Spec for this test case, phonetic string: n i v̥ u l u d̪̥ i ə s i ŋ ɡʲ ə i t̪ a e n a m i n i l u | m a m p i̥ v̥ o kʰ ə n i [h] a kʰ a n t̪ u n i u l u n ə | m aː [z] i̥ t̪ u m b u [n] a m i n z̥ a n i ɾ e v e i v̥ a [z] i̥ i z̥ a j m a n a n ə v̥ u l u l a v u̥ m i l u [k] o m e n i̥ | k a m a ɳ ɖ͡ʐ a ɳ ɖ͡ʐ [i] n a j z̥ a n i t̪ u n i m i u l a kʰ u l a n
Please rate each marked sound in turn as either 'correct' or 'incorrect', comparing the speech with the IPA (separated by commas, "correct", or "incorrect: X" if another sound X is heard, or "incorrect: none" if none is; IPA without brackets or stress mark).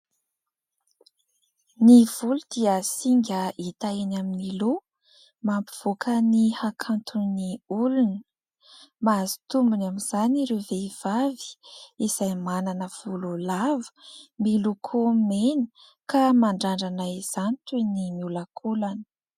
correct, correct, correct, incorrect: v, incorrect: kʰ, incorrect: a